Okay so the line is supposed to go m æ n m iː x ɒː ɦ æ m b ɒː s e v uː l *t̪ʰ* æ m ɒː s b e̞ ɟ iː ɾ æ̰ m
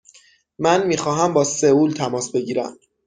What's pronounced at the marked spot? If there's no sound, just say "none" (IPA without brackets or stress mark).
t̪ʰ